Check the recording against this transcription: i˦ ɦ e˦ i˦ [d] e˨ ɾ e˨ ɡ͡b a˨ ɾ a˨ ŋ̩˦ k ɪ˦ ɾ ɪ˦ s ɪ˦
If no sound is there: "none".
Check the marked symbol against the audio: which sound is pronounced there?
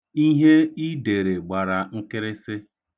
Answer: d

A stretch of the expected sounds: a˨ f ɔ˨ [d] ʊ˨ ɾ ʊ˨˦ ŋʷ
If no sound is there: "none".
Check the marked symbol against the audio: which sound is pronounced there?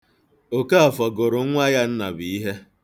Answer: ɡ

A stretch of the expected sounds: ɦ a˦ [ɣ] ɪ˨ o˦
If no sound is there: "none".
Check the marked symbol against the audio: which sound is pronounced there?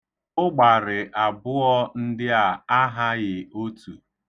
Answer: ɣ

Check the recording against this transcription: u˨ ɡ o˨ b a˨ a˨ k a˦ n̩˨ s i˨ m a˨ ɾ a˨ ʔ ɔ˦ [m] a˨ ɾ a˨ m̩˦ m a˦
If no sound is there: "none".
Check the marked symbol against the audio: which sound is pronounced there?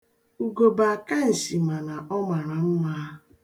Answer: m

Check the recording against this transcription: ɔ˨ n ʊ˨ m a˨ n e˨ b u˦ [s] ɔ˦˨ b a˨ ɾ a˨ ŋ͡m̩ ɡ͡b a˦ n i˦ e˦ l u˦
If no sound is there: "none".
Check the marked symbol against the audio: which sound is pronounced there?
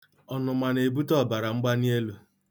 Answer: t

